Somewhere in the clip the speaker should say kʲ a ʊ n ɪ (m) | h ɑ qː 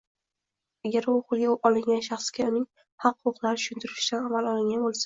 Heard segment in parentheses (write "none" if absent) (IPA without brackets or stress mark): ŋ